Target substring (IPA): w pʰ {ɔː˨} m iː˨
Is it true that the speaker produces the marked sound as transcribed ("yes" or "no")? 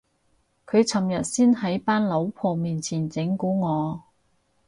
yes